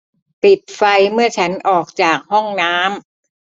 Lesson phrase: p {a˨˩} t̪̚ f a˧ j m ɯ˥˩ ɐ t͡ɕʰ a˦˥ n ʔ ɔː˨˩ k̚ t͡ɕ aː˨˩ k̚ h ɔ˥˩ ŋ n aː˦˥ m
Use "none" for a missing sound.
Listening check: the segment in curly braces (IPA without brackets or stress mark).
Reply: i˨˩